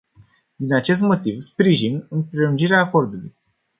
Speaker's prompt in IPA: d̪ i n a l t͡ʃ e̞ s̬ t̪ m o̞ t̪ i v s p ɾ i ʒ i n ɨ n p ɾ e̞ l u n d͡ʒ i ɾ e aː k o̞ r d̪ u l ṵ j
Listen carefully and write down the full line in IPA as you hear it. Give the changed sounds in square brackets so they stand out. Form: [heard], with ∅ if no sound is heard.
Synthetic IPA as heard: d̪ i n a [∅] t͡ʃ e̞ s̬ t̪ m o̞ t̪ i v s p ɾ i ʒ i n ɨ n p ɾ e̞ l u n d͡ʒ i ɾ e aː k o̞ r d̪ u l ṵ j